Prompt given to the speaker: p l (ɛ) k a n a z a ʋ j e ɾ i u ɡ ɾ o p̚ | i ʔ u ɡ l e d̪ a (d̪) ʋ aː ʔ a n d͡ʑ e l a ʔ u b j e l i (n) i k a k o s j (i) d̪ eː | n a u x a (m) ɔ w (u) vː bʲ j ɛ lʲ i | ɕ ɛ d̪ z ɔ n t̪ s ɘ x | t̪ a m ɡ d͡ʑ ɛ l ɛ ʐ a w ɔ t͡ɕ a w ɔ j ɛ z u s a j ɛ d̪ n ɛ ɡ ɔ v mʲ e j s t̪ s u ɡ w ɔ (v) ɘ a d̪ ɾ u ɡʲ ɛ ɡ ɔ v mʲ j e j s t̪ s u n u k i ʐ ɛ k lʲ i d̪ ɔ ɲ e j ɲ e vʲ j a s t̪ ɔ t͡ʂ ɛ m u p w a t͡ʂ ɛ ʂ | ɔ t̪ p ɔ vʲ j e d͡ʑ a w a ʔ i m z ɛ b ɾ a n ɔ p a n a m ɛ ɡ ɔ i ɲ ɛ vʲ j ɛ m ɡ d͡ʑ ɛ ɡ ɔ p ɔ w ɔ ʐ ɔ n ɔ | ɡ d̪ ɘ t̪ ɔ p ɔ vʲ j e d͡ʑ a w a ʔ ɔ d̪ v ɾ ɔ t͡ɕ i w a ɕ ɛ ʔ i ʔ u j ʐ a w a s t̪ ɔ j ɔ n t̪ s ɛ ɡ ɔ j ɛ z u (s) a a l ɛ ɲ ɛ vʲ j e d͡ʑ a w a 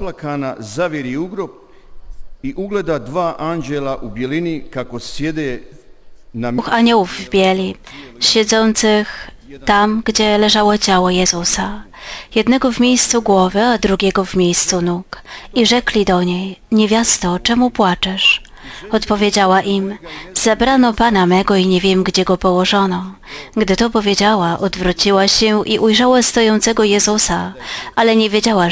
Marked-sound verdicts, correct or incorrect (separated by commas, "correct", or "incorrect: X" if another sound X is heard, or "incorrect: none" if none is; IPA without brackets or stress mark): incorrect: a, correct, correct, incorrect: e, incorrect: ɲ, correct, correct, correct